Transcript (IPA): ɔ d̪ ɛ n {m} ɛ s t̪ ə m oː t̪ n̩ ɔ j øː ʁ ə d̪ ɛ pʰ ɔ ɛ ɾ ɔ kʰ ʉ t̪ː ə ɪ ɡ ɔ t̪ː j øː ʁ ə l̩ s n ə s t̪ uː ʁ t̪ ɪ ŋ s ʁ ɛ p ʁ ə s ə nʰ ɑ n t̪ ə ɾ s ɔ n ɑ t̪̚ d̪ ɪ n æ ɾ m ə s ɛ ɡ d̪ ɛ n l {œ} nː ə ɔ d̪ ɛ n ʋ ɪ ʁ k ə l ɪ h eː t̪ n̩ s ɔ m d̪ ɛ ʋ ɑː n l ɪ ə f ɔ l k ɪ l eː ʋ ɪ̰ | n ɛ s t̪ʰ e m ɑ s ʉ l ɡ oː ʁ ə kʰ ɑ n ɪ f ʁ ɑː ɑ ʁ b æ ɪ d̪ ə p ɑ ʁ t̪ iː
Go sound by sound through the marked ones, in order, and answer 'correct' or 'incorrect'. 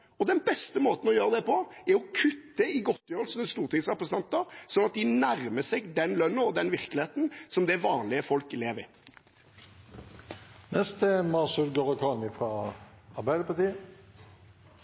incorrect, correct

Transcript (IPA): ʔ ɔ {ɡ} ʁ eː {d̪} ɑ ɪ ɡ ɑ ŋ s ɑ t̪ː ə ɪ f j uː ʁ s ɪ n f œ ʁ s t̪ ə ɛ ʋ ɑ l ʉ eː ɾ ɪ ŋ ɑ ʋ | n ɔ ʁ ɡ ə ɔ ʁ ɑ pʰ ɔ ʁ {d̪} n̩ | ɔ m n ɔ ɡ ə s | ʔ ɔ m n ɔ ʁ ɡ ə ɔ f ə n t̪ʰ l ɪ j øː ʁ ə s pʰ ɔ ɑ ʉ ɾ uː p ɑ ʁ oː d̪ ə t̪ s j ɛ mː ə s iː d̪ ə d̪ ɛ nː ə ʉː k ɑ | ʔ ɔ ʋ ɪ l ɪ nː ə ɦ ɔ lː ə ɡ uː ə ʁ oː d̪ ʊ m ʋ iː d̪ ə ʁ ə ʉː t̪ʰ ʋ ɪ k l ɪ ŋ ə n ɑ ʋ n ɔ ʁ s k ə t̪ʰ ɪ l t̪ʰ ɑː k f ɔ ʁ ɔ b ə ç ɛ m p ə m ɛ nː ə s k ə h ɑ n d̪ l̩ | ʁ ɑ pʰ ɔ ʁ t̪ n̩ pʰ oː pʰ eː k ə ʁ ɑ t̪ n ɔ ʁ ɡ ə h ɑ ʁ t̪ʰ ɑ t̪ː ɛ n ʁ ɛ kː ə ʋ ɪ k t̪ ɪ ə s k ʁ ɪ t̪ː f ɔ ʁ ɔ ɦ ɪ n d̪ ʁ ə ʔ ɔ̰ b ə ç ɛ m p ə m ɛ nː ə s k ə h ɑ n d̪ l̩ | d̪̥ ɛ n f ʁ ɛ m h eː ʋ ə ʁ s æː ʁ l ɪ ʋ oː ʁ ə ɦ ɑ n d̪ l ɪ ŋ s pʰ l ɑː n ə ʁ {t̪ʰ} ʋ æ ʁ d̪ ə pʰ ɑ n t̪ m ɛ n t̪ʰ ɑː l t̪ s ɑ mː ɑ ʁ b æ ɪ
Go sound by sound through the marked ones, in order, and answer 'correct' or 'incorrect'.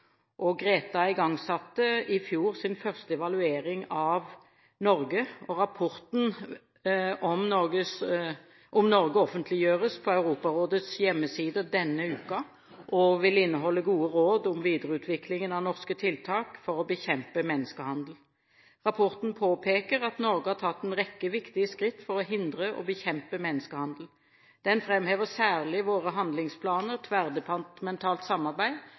correct, incorrect, incorrect, correct

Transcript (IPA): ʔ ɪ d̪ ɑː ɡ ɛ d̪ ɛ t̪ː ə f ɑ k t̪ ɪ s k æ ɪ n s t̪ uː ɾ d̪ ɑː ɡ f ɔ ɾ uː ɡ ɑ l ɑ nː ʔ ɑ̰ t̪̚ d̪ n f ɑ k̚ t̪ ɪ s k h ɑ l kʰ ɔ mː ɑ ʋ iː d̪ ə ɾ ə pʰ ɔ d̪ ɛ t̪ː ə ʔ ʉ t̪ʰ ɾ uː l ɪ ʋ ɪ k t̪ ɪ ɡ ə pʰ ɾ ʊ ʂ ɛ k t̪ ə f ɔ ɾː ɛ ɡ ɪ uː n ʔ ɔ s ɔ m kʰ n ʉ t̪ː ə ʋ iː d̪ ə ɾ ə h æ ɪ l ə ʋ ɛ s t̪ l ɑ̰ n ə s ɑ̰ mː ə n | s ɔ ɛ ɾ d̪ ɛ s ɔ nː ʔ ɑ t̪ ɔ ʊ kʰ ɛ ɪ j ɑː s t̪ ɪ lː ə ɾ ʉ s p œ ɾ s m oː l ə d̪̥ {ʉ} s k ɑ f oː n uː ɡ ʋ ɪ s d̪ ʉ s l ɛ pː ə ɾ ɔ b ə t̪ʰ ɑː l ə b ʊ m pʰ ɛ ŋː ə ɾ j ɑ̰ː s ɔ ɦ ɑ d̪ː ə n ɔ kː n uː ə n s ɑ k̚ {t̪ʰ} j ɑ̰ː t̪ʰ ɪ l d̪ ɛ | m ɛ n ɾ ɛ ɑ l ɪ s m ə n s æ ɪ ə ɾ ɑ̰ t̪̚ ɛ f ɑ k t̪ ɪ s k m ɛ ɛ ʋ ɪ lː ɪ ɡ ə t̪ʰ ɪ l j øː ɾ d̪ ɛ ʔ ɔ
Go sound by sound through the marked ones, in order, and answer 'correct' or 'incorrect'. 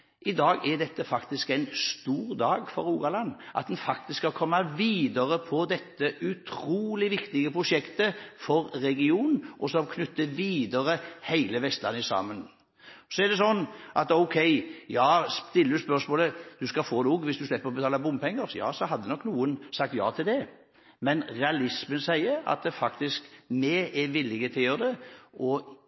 correct, incorrect

